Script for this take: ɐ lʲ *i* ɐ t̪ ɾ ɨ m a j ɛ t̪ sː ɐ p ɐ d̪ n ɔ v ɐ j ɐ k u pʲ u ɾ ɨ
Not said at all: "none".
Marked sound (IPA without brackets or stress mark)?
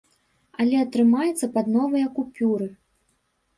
ɛ